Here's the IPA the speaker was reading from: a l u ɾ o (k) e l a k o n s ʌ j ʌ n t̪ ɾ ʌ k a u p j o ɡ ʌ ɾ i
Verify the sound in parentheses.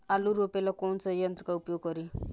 incorrect: p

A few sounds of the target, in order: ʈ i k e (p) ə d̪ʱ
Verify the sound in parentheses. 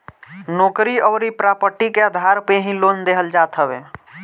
incorrect: none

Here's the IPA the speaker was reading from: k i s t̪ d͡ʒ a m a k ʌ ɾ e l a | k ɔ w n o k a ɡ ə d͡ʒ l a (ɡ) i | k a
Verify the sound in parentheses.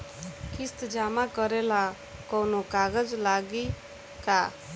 correct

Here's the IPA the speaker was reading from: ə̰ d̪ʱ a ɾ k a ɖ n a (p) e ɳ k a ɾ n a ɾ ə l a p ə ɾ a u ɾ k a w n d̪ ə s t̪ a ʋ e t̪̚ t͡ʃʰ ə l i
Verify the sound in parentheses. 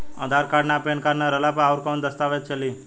correct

